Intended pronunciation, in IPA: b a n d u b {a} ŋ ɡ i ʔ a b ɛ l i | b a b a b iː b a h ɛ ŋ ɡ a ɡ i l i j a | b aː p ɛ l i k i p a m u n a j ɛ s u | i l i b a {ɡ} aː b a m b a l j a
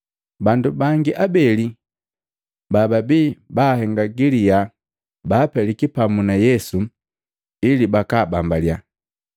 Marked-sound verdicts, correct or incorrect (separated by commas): correct, incorrect